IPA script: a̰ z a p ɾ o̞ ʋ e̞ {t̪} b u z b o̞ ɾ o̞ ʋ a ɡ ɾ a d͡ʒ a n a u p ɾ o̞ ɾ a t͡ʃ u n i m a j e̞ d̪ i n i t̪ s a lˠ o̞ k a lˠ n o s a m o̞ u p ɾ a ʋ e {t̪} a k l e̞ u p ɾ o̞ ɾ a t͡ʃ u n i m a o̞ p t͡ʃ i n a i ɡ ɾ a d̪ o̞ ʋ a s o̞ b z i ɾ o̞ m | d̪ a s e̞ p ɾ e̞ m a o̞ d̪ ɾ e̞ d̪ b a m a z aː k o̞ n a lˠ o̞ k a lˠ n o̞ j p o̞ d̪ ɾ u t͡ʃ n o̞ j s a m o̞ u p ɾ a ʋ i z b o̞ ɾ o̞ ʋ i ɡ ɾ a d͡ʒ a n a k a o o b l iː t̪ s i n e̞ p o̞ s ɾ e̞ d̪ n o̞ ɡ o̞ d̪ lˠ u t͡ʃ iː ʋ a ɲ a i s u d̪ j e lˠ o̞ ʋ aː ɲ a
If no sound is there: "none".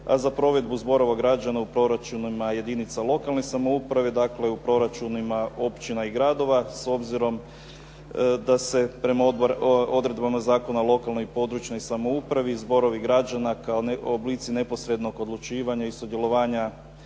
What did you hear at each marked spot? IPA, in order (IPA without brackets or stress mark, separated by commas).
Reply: d̪, d̪